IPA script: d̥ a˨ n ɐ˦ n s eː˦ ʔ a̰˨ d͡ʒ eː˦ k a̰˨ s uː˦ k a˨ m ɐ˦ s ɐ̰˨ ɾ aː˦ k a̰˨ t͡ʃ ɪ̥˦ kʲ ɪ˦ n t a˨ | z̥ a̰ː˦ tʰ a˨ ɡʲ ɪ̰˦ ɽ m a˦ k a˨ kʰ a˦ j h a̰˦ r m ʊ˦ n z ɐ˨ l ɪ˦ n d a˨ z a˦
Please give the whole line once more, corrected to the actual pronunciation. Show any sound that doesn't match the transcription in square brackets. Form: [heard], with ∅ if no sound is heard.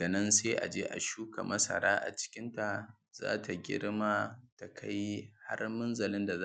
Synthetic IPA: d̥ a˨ n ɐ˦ n s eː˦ ʔ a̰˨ d͡ʒ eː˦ [ʔ] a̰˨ [ʃ] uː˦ k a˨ m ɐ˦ s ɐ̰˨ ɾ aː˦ [ʔ] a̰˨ t͡ʃ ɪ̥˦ kʲ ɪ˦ n t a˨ | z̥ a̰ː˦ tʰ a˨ ɡʲ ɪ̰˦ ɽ m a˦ [t] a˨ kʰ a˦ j h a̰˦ r m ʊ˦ n z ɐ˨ l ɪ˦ n d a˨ z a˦